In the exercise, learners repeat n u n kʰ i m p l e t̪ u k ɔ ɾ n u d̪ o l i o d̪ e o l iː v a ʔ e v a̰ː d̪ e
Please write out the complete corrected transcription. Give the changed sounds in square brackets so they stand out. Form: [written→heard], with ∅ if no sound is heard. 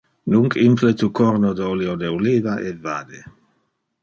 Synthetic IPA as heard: n u [n→ŋ] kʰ i m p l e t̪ u k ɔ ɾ n [u→o] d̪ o l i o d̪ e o l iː v a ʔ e v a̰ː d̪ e